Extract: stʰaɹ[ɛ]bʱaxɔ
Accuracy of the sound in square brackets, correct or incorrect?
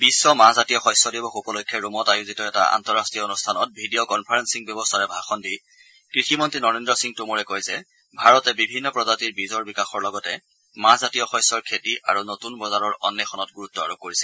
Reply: correct